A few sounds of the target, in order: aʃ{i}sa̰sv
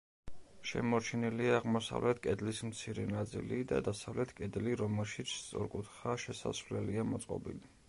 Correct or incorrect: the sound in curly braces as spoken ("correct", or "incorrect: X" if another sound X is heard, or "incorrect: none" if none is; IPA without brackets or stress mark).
incorrect: ɛ